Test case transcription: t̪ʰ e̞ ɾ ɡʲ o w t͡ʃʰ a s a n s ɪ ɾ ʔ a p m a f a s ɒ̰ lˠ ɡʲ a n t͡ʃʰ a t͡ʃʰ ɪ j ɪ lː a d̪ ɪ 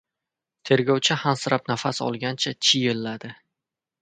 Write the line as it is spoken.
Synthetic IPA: t̪ʰ e̞ ɾ ɡʲ ɒ w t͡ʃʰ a h a n s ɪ ɾ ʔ a p n a f a s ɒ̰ lˠ ɡʲ a n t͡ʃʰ a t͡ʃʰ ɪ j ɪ lː a d̪ ɪ

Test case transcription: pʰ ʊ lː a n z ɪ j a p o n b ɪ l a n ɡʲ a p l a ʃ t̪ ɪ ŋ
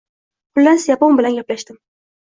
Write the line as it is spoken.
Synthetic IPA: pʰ ʊ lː a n s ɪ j a p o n b ɪ l a n ɡʲ a p l a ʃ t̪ ɪ m

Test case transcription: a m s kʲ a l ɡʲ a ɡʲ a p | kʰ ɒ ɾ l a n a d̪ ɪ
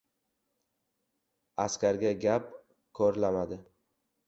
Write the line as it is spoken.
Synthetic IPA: a s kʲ a ɾ ɡʲ a ɡʲ a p | kʰ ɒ ɾ l a m a d̪ ɪ

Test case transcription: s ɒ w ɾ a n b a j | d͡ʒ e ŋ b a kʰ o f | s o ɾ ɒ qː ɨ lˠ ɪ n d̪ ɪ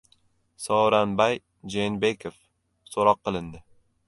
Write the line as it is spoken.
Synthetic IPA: s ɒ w ɾ a n b a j | d͡ʒ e n b e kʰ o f | s o ɾ ɒ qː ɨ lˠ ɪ n d̪ ɪ

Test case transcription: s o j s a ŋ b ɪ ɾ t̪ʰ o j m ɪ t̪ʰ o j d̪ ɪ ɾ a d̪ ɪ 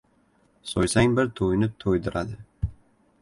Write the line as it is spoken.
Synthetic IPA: s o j s a ŋ b ɪ ɾ t̪ʰ o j n ɪ t̪ʰ o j d̪ ɪ ɾ a d̪ ɪ

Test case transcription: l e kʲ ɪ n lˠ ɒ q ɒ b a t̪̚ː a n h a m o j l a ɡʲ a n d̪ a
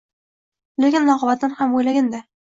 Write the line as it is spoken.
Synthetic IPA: l e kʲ ɪ n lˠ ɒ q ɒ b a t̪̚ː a n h a m o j l a ɡʲ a n d̪ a

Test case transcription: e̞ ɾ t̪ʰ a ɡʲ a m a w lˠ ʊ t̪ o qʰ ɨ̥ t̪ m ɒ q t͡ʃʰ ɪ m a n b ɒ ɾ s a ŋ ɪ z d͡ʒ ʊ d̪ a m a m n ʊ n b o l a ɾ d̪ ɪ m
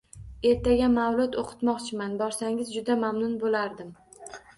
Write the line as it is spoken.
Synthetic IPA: e̞ ɾ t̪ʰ a ɡʲ a m a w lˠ ʊ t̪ o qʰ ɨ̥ t̪ m ɒ q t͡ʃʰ ɪ m a n b ɒ ɾ s a ŋ ɪ z d͡ʒ ʊ d̪ a m a m n ʊ n b o l a ɾ d̪ ɪ m

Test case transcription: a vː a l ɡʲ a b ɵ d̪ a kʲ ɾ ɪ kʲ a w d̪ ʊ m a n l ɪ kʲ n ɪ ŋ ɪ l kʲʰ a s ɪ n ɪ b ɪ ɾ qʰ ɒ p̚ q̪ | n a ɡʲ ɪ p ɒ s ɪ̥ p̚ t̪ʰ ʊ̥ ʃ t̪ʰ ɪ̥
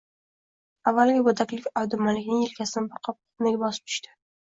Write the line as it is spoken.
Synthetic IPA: a vː a l ɡʲ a b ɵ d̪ a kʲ l ɪ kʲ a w d̪ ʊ m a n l ɪ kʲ n ɪ ŋ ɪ l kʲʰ a s ɪ n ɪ b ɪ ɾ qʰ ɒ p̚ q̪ | n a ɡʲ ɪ b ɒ s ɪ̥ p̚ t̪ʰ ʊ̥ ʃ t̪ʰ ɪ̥

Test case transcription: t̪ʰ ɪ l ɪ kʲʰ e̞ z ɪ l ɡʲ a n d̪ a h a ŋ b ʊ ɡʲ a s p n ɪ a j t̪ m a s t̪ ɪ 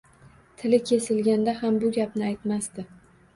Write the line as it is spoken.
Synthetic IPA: t̪ʰ ɪ l ɪ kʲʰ e̞ s ɪ l ɡʲ a n d̪ a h a m b ʊ ɡʲ a p n ɪ a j t̪ m a s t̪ ɪ

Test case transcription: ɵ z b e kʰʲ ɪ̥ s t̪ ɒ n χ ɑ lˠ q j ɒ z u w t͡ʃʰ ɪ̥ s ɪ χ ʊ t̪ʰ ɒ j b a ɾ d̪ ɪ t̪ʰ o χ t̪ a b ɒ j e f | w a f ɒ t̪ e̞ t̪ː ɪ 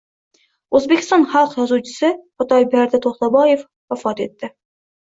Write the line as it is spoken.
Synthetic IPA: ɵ z b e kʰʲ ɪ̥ s t̪ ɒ n χ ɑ lˠ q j ɒ z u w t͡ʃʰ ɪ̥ s ɪ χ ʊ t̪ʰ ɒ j b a ɾ d̪ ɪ t̪ʰ o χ t̪ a b ɒ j e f | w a f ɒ t̪ e̞ t̪ː ɪ

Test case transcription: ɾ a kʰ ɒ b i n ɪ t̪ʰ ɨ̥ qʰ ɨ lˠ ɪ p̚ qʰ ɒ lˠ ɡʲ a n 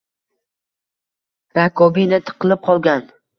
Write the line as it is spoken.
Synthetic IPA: ɾ a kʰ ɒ b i n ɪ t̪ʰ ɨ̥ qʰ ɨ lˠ ɪ p̚ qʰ ɒ lˠ ɡʲ a n

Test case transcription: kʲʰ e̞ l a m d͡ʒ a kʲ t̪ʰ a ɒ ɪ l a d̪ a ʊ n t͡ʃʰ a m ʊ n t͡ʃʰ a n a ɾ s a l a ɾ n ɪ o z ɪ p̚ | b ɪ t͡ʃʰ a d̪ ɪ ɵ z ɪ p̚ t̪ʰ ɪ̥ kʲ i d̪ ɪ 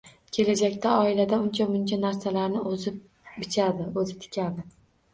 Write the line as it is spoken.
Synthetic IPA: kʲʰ e̞ l a d͡ʒ a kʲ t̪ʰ a ɒ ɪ l a d̪ a ʊ n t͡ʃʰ a m ʊ n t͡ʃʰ a n a ɾ s a l a ɾ n ɪ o z ɪ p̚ | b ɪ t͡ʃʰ a d̪ ɪ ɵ z ɪ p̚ t̪ʰ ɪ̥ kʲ a d̪ ɪ

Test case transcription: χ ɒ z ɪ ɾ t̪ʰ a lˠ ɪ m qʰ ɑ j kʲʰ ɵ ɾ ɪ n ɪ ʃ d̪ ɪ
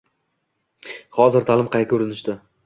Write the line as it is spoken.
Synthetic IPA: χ ɒ z ɪ ɾ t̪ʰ a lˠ ɪ m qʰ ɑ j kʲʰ ɵ ɾ ɪ n ɪ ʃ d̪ ɪ

